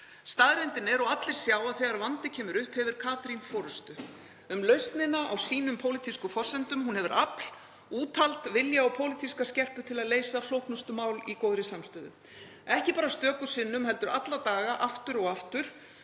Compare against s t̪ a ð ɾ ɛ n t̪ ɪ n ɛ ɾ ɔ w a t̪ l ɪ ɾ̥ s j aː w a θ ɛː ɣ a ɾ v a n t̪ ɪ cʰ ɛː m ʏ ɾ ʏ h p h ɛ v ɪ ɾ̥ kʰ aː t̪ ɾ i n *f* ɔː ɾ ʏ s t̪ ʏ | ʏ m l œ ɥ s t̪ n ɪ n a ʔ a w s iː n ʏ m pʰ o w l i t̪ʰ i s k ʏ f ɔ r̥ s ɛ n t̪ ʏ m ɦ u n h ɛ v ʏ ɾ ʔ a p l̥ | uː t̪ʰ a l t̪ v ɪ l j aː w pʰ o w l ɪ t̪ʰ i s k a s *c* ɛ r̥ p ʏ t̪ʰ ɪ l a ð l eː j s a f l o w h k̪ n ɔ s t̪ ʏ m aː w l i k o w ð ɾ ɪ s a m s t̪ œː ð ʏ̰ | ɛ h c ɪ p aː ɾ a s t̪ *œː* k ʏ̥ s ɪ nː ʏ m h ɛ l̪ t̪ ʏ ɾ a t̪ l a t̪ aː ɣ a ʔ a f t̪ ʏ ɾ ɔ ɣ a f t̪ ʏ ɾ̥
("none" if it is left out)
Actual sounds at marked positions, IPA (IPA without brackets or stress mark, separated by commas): f, c, œː